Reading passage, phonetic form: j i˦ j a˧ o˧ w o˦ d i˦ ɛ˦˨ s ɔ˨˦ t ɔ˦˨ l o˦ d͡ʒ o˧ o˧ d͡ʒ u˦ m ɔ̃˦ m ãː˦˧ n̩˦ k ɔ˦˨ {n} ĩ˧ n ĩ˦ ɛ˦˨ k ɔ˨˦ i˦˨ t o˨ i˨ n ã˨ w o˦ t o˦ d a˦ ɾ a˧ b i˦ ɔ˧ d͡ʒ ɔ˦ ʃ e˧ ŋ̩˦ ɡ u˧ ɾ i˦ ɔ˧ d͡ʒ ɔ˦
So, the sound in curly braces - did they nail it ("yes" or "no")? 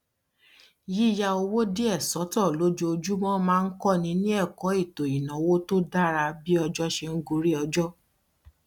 yes